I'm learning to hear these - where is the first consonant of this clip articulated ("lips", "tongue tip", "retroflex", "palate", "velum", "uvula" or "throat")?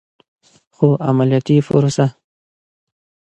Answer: velum